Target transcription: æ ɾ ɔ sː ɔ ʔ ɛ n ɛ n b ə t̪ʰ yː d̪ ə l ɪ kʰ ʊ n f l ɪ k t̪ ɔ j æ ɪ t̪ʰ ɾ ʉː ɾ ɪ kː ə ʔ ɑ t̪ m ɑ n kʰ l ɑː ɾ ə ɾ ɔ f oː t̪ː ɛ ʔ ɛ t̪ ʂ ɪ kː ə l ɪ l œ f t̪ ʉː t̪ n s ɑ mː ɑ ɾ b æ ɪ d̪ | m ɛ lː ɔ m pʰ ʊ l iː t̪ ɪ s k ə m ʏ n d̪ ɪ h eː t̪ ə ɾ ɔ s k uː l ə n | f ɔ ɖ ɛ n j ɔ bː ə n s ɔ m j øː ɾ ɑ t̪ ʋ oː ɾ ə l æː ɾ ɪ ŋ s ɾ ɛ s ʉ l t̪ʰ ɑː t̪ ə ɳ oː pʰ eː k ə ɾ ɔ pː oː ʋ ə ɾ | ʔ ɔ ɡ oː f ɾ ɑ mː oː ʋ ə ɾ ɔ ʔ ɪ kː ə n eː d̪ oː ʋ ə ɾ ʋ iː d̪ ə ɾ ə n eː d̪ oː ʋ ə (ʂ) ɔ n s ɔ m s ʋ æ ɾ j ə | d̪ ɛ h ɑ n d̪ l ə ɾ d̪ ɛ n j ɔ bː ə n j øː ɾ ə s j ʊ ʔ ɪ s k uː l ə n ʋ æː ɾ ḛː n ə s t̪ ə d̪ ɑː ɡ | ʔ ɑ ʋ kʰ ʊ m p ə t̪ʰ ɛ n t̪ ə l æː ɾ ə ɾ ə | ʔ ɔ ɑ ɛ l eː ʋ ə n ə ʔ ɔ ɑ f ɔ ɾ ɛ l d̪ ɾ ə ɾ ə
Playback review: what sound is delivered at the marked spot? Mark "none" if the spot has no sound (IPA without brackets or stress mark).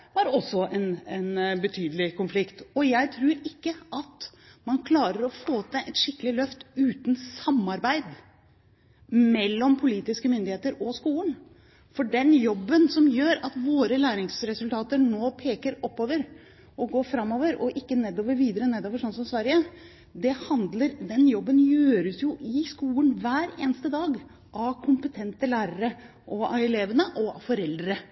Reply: ʂ